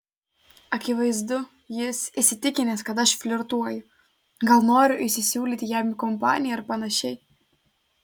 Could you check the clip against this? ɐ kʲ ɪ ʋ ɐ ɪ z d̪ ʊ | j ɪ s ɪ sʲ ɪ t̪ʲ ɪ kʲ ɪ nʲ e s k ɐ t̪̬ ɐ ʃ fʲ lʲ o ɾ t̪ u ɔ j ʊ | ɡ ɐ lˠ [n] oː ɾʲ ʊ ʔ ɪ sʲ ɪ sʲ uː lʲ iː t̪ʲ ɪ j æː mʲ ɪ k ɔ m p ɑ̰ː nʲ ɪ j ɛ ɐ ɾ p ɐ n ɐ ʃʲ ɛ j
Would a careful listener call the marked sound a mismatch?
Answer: no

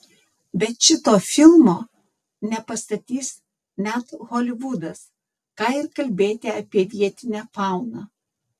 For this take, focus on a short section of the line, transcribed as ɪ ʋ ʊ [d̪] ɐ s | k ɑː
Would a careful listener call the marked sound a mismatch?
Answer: no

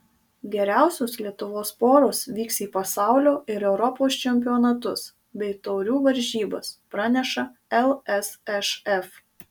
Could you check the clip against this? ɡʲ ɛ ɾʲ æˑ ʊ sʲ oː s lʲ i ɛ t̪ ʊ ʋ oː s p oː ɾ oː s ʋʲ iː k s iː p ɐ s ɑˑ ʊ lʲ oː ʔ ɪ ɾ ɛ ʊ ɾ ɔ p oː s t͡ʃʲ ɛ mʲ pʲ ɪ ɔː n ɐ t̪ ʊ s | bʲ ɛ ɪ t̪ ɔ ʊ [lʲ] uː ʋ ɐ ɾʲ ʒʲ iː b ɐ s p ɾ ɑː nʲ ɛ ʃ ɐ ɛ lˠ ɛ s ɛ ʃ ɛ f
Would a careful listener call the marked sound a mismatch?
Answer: yes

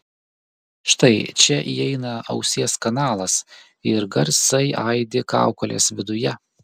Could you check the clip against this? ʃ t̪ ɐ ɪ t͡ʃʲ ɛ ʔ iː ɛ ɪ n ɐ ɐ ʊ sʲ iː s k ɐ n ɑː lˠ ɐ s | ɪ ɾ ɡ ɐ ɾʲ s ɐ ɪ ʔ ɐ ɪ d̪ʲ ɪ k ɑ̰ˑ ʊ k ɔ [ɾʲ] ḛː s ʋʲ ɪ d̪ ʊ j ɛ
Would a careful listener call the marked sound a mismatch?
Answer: yes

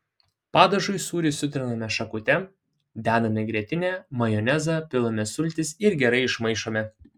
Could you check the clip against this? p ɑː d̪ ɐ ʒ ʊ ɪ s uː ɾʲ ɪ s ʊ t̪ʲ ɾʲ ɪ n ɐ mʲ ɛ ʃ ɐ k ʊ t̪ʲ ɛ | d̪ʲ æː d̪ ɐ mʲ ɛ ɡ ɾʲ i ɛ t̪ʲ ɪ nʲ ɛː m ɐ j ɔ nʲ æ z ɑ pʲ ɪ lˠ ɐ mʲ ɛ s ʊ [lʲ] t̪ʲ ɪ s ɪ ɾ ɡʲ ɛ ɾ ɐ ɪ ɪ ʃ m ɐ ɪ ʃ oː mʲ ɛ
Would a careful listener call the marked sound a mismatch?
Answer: no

